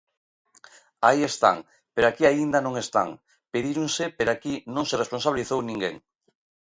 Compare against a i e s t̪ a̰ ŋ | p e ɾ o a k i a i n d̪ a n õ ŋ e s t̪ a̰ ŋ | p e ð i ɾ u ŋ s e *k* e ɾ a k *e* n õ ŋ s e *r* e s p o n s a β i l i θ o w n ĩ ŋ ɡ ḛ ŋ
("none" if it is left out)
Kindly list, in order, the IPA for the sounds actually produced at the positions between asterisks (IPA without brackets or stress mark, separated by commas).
p, i, r